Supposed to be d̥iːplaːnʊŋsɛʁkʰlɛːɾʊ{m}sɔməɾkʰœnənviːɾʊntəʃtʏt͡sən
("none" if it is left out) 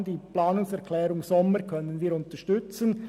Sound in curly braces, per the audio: ŋ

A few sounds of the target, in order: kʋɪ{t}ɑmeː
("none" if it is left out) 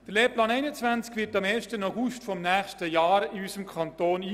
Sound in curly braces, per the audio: t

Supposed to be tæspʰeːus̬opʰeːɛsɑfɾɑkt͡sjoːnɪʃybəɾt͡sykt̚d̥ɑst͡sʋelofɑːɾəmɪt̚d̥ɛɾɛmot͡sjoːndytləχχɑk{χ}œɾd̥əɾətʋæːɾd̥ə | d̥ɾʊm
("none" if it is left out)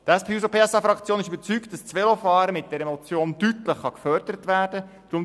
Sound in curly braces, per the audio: f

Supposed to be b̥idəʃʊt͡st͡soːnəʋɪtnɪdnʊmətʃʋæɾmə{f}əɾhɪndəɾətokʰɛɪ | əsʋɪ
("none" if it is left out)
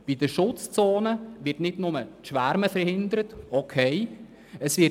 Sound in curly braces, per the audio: f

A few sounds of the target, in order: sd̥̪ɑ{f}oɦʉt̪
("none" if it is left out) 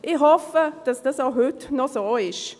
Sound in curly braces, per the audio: s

